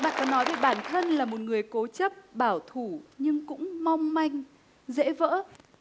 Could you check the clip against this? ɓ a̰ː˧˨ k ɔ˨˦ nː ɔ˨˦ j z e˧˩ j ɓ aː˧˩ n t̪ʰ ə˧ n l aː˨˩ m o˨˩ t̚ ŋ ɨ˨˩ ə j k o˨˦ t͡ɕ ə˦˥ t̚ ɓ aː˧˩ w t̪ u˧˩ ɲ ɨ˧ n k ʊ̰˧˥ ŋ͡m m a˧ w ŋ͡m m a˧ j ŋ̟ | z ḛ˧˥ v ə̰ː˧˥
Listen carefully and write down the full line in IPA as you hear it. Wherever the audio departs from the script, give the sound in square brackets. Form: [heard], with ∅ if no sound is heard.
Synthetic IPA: ɓ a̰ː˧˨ k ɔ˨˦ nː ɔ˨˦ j [v] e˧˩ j ɓ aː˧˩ n t̪ʰ ə˧ n l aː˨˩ m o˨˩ t̚ ŋ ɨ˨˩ ə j k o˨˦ t͡ɕ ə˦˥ [p̚] ɓ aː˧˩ w [t̪ʰ] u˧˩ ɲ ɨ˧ [ŋ] k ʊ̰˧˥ ŋ͡m m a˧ w ŋ͡m m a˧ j ŋ̟ | z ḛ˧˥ v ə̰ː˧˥